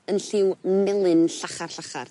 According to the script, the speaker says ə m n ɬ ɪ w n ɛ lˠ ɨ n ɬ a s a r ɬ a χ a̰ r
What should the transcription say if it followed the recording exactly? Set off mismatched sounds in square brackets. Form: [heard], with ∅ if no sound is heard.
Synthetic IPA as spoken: ə [∅] n ɬ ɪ w [m] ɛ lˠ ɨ n ɬ a [χ] a r ɬ a χ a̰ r